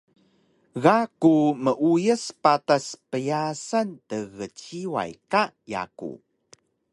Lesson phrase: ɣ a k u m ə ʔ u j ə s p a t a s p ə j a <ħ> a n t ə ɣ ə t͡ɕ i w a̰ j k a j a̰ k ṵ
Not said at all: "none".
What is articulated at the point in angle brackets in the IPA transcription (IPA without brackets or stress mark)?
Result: s